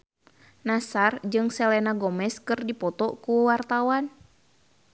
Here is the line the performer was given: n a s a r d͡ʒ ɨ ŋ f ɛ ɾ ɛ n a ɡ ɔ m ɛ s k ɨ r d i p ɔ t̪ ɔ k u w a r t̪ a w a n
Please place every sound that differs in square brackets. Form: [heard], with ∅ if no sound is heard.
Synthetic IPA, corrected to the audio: n a s a r d͡ʒ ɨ ŋ [s] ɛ [l] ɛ n a ɡ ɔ m ɛ s k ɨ r d i p ɔ t̪ ɔ k u w a r t̪ a w a n